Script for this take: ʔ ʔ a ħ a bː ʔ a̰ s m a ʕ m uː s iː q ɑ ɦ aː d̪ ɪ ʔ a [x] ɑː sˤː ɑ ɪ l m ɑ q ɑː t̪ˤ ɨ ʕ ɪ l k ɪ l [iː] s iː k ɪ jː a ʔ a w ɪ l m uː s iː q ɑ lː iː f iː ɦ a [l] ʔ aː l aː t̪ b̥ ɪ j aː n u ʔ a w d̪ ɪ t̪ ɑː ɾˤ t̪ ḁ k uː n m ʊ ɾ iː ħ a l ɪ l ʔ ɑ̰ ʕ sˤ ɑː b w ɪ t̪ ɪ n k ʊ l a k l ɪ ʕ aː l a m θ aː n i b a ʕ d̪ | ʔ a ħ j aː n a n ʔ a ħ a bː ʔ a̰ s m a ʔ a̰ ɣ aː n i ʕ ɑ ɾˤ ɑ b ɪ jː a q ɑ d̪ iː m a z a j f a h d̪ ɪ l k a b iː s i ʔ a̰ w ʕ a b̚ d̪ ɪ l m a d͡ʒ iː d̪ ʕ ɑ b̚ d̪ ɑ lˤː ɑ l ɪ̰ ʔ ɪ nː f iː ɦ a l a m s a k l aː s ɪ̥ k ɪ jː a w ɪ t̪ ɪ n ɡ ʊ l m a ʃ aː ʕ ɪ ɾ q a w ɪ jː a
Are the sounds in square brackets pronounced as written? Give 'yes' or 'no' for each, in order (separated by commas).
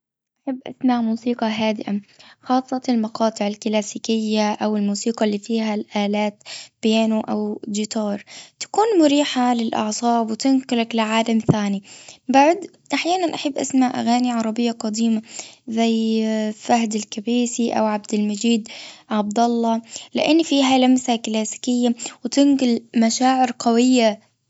yes, no, yes